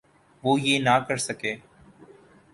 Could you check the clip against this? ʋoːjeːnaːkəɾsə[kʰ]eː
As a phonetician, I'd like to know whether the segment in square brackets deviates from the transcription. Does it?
yes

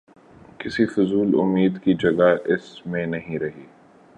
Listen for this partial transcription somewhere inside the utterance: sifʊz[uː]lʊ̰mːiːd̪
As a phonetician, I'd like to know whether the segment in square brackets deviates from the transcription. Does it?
no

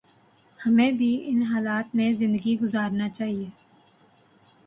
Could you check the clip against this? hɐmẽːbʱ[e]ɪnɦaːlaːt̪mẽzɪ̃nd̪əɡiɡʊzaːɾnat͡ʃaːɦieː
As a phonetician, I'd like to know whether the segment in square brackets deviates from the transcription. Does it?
yes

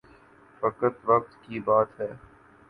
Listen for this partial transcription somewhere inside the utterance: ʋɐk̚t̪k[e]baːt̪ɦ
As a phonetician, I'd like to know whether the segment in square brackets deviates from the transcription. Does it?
yes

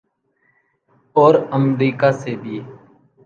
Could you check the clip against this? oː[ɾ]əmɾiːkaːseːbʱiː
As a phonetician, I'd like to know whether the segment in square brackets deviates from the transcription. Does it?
no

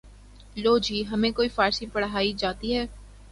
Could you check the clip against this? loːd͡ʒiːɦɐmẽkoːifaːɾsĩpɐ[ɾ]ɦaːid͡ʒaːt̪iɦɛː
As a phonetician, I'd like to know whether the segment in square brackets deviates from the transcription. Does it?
yes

